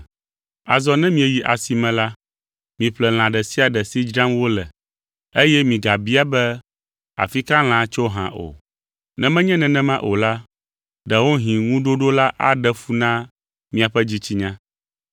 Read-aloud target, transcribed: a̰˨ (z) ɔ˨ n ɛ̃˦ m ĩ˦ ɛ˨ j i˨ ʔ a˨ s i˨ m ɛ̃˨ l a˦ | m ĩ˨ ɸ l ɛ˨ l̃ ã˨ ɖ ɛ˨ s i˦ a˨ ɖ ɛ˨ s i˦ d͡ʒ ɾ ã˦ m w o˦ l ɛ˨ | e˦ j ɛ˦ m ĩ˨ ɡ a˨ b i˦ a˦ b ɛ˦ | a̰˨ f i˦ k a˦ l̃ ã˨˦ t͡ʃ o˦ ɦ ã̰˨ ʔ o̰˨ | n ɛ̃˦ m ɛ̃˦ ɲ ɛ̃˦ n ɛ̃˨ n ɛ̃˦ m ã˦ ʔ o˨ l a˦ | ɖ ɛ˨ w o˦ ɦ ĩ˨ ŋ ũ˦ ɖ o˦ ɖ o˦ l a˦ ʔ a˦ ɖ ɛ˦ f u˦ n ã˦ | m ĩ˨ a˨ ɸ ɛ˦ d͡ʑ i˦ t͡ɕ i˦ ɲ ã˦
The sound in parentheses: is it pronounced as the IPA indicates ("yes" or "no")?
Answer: yes